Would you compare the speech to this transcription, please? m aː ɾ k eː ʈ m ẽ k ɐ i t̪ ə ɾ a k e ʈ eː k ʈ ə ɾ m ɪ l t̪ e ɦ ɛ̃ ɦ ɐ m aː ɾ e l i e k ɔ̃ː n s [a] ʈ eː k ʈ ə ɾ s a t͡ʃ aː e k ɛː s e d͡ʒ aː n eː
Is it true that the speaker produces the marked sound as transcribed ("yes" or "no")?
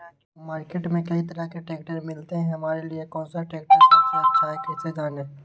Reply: yes